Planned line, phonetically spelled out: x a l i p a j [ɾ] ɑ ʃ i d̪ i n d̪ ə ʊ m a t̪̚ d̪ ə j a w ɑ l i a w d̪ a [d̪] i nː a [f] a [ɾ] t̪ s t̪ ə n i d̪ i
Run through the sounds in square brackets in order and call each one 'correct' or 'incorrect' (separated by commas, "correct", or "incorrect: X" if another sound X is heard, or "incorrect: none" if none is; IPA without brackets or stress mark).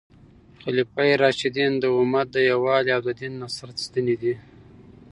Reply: correct, correct, incorrect: s, correct